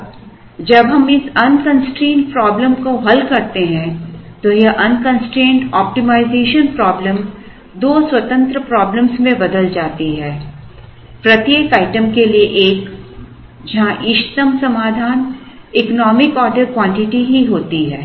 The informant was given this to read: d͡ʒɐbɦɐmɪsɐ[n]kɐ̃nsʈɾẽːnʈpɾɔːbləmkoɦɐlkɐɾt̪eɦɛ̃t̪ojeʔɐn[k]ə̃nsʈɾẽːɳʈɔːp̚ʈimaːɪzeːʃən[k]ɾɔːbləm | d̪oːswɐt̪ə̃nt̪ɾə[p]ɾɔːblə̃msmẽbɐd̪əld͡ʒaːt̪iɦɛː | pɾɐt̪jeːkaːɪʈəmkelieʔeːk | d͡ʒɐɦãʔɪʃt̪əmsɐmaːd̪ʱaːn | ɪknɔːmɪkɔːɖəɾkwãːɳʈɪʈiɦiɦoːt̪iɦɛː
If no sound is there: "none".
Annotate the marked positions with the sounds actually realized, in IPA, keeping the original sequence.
n, k, p, p

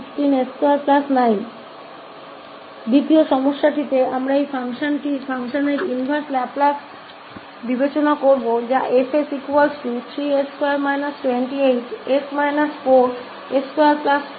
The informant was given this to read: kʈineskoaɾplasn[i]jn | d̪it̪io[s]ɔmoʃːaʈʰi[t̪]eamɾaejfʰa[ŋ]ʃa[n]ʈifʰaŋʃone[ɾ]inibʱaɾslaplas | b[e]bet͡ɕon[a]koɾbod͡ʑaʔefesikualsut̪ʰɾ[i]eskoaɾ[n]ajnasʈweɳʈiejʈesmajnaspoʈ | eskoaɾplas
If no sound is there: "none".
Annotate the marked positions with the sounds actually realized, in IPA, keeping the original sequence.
a, ʃ, t̪, ŋ, n, ɾ, i, a, i, m

